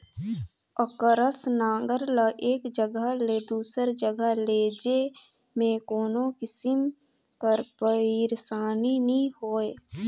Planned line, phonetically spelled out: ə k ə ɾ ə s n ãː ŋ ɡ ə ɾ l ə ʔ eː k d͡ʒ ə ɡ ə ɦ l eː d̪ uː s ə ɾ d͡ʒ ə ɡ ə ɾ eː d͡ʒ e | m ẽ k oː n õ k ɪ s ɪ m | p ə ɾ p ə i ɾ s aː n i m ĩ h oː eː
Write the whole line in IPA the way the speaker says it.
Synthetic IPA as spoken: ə k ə ɾ ə s n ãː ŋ ɡ ə ɾ l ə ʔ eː k d͡ʒ ə ɡ ə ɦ l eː d̪ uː s ə ɾ d͡ʒ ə ɡ ə l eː d͡ʒ e | m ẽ k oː n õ k ɪ s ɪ m | p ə ɾ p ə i ɾ s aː n i n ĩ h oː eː